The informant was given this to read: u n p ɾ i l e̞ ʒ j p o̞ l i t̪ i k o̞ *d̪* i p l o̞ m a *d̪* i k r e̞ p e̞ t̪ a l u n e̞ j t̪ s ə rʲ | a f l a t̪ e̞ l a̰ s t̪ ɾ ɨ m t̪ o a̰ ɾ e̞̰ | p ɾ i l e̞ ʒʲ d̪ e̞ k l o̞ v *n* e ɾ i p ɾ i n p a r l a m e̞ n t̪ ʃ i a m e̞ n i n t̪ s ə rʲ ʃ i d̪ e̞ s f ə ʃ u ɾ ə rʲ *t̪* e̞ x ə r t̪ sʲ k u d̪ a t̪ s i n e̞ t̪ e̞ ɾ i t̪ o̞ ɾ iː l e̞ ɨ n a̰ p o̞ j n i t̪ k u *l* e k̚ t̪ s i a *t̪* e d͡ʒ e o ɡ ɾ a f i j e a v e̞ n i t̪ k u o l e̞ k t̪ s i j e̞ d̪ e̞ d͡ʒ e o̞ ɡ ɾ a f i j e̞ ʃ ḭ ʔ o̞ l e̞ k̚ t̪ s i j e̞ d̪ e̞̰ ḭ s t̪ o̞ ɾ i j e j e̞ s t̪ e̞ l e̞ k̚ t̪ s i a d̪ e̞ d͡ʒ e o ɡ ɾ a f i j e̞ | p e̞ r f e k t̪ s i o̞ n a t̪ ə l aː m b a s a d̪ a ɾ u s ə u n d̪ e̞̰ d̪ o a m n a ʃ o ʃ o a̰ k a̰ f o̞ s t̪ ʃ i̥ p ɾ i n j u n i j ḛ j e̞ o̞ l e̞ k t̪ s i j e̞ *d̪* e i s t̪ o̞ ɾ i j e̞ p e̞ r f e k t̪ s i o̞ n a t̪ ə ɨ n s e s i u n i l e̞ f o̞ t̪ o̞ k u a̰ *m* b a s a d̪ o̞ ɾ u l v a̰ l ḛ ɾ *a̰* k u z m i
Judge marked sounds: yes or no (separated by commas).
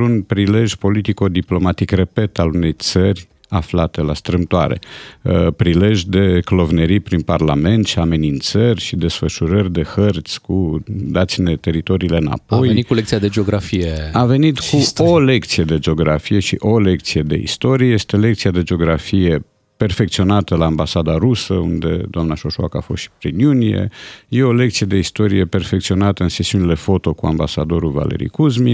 yes, no, yes, no, yes, no, yes, yes, no